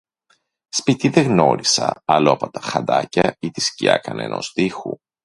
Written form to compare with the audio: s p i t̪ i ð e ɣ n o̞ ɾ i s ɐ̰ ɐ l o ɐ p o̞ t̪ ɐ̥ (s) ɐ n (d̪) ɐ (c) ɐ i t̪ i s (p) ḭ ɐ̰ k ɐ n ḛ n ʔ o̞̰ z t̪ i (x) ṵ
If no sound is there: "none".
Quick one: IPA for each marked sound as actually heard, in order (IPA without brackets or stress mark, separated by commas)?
x, d̪, c, c, x